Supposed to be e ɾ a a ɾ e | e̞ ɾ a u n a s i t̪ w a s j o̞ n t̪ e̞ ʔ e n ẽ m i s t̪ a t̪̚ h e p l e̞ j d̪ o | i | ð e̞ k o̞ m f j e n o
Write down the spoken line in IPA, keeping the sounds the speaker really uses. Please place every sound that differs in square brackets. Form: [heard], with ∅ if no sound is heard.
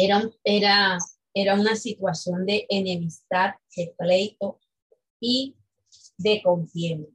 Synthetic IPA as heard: e ɾ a [e] ɾ [a] | e̞ ɾ a u n a s i t̪ w a s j o̞ n [d̪] e̞ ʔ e n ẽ m i s t̪ a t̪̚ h e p l e̞ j [t̪] o | i | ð e̞ k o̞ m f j e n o